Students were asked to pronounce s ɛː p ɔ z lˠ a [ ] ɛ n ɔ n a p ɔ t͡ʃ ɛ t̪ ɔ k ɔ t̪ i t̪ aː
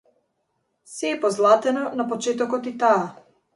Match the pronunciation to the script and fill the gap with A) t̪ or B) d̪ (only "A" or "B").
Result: A